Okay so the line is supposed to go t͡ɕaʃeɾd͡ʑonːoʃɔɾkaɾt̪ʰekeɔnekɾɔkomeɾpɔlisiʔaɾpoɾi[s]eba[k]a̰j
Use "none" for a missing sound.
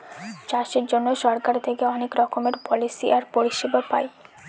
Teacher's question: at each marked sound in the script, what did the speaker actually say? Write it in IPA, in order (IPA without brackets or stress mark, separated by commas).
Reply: ʃ, p